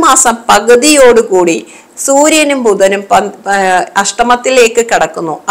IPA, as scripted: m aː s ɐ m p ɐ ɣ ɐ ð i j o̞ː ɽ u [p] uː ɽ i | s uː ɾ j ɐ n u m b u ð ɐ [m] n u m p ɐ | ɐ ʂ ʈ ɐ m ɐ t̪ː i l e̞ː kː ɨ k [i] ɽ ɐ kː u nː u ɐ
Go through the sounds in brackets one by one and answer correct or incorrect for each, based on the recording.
incorrect: k, incorrect: none, correct

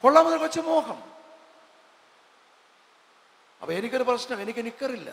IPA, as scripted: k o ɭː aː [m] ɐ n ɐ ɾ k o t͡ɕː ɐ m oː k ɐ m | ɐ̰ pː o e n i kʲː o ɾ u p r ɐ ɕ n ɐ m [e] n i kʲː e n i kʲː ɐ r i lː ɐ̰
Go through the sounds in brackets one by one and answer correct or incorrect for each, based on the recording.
correct, correct

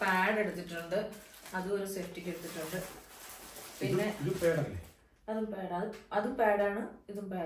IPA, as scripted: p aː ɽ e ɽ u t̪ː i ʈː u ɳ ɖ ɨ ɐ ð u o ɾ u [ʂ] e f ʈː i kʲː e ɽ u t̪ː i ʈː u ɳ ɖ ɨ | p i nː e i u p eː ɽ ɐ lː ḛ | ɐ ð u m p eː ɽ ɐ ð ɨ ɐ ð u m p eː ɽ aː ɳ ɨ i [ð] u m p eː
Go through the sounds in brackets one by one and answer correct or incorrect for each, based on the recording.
incorrect: s, correct

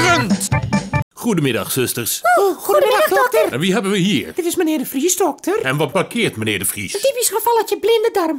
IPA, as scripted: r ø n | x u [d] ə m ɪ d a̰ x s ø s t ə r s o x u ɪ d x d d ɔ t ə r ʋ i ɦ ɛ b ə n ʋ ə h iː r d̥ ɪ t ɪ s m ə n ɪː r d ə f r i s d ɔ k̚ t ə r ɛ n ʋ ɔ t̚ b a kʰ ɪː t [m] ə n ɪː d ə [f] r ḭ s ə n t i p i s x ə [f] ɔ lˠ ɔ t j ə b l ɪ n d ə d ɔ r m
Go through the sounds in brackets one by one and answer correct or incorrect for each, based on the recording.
correct, correct, correct, correct

